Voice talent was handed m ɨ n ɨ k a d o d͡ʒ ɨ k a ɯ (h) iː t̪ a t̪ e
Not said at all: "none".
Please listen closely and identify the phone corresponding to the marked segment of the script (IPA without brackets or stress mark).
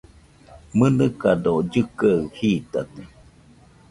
h